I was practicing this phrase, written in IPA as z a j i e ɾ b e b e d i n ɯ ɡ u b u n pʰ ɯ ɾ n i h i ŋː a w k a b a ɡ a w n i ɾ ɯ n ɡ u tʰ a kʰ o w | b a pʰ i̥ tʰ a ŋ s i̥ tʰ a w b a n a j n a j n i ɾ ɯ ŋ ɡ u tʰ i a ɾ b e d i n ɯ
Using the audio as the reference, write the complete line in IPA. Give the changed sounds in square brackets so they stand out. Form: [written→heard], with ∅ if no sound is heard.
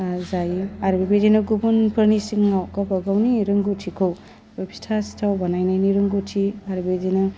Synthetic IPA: z a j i [e→a] ɾ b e b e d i n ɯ ɡ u b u n pʰ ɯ ɾ n i [h→s] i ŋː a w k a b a ɡ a w n i ɾ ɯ [n→ŋ] ɡ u tʰ [a→i] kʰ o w | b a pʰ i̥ tʰ a [ŋ→∅] s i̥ tʰ a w b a n a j n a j n i ɾ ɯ ŋ ɡ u tʰ i a ɾ b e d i n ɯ